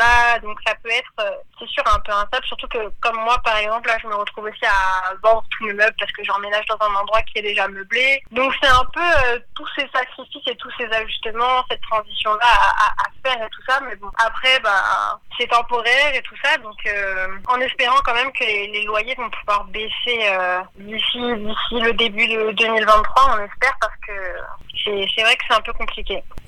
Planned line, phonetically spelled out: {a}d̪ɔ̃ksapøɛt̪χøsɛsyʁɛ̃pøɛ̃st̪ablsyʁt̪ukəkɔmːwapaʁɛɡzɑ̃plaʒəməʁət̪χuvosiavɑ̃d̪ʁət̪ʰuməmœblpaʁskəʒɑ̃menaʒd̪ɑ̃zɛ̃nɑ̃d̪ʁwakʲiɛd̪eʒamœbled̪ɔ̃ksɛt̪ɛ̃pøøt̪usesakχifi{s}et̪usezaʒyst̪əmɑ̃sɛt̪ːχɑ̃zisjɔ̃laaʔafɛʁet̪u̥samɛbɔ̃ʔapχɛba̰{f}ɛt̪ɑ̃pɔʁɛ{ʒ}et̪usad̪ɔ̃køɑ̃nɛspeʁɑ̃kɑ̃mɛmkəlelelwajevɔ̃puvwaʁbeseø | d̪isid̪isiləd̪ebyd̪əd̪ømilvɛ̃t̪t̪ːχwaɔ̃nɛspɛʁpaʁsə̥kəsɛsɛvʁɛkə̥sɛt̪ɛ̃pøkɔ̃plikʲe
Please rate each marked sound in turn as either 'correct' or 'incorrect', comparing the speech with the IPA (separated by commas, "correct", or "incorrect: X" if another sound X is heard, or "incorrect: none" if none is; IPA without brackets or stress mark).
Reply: correct, correct, incorrect: s, incorrect: ʁ